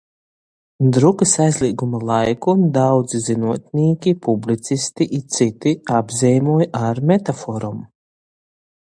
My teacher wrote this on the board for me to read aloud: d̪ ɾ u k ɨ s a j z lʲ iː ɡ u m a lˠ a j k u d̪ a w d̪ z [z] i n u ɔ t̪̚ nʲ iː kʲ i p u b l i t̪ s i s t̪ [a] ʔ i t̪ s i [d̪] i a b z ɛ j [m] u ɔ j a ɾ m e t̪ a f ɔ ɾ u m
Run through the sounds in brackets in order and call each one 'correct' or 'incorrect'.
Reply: correct, incorrect: i, incorrect: t̪, correct

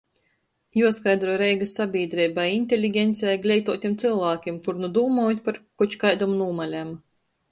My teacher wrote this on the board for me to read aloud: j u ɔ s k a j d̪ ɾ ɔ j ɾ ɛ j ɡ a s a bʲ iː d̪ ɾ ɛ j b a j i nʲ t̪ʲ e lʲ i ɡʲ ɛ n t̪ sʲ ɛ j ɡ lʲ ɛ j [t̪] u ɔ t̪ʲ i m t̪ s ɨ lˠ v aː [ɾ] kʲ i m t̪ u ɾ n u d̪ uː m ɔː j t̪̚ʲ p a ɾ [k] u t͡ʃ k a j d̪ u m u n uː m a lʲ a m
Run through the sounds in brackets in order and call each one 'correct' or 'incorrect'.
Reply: correct, incorrect: none, correct

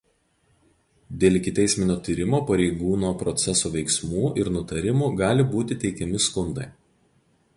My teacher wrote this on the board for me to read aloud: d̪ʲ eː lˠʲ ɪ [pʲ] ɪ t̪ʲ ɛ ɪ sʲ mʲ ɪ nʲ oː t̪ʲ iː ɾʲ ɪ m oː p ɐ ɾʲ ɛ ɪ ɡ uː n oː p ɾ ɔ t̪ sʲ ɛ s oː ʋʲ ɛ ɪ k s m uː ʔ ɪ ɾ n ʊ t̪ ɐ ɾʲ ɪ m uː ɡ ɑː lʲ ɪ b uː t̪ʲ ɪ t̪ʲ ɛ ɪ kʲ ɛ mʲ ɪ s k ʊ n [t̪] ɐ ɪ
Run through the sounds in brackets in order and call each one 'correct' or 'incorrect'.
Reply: incorrect: kʲ, incorrect: d̪

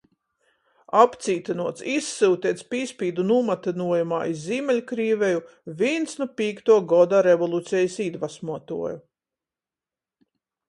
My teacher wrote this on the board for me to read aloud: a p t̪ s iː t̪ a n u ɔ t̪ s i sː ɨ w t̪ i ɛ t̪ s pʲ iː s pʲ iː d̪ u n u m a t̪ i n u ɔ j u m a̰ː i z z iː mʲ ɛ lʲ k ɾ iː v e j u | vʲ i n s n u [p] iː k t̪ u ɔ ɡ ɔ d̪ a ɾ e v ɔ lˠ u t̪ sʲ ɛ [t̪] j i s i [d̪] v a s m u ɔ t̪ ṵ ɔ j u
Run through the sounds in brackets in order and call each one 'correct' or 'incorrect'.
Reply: correct, incorrect: none, correct

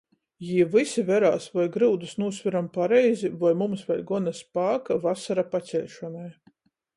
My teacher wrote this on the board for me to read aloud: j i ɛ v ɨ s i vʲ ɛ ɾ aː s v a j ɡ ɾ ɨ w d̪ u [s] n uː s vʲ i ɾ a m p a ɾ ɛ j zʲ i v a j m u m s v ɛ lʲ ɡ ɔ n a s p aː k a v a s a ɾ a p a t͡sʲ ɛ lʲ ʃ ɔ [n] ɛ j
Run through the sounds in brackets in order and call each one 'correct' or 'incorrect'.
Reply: correct, correct

